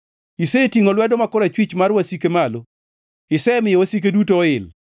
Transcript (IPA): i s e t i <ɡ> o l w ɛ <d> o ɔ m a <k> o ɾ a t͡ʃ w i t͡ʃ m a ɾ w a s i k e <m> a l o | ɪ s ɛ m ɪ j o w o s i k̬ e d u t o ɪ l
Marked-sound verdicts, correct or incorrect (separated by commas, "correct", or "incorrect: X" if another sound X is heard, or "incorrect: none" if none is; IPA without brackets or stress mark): incorrect: ŋ, correct, correct, correct